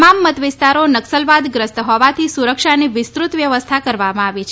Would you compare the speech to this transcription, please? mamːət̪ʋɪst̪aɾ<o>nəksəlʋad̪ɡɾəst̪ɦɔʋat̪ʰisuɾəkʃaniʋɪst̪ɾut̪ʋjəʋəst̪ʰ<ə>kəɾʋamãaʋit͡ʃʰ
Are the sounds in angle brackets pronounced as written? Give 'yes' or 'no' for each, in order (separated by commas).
yes, no